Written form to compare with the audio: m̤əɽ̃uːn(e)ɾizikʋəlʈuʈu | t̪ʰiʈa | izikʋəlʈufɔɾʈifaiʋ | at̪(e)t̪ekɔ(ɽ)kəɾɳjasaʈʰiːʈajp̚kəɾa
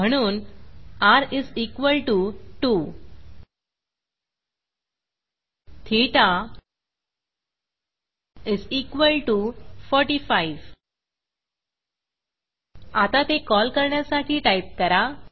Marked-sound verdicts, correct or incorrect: incorrect, incorrect, incorrect

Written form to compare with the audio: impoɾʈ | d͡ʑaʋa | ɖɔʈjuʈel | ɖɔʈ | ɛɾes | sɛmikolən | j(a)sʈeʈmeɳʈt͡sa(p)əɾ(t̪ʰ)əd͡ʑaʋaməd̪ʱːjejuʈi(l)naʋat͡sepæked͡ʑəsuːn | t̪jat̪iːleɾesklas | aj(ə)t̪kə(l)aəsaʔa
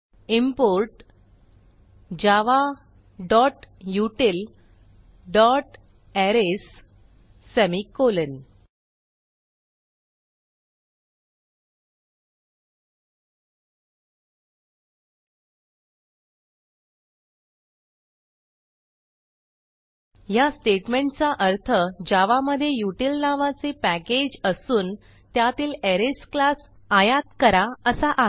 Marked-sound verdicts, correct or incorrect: correct, incorrect, correct, correct, incorrect, incorrect

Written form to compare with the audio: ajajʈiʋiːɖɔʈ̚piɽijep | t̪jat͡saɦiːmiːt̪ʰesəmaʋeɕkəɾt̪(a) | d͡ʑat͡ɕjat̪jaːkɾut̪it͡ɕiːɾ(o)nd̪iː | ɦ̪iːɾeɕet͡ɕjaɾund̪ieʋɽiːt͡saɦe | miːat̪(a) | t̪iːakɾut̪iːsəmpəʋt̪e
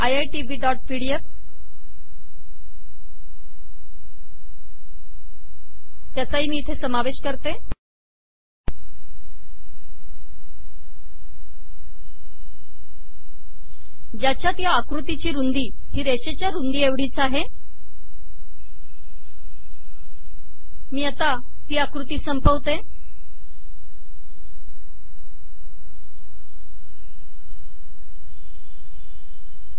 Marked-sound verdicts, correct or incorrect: incorrect, incorrect, correct

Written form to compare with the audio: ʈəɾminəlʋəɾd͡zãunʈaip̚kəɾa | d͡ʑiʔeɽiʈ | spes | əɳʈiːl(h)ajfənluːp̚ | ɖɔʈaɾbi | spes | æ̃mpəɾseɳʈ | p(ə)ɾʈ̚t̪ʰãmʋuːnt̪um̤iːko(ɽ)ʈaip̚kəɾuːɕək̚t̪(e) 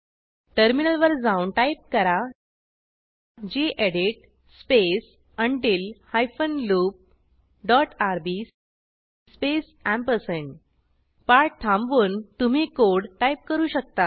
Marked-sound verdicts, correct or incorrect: correct, incorrect, correct, incorrect

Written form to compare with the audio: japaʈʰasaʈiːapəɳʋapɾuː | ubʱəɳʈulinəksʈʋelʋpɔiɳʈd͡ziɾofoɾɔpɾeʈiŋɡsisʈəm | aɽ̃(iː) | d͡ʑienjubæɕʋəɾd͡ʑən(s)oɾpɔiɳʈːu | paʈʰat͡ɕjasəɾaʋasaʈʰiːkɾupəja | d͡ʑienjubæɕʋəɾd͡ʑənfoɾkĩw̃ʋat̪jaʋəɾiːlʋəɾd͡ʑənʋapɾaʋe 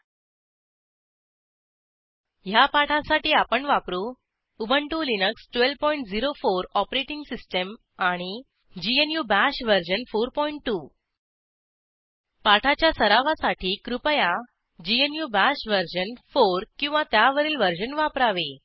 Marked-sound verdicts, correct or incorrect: incorrect, incorrect

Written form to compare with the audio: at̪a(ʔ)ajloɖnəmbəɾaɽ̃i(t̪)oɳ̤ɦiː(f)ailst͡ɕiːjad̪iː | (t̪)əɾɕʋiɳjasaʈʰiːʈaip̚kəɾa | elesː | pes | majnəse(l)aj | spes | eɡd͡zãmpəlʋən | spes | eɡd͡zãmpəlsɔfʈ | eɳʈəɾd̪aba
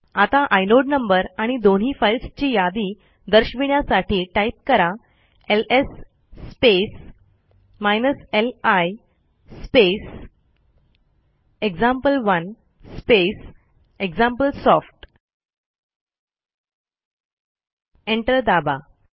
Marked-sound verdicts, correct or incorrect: correct, incorrect, correct, incorrect, correct

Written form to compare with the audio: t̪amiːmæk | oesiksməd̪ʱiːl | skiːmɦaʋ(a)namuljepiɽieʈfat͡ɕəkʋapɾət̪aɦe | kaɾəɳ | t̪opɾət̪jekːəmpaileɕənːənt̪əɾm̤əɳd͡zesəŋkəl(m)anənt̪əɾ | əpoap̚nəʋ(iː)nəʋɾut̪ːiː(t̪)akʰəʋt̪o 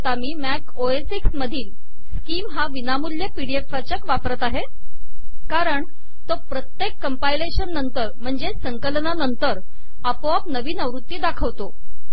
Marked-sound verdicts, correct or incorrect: incorrect, incorrect, correct, incorrect

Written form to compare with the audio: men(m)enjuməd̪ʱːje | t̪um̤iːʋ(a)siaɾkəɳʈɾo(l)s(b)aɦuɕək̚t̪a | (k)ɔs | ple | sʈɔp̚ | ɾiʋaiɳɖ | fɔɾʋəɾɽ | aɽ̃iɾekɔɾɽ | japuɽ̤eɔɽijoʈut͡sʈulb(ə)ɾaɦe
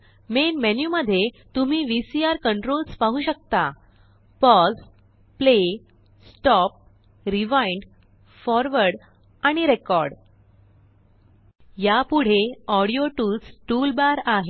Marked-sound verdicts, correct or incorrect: correct, incorrect, correct, incorrect, incorrect, incorrect

